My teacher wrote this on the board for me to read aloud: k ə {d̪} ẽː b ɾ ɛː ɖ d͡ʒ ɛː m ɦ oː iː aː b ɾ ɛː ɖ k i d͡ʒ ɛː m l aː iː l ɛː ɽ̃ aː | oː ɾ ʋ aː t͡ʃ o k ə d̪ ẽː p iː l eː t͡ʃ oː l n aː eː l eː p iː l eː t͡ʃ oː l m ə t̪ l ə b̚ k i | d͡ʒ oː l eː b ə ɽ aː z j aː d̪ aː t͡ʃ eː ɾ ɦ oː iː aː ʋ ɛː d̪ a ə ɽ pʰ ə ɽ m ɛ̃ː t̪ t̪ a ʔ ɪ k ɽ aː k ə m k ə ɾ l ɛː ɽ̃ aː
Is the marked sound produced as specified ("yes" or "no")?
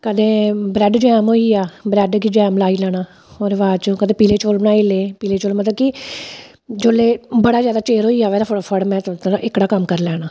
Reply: yes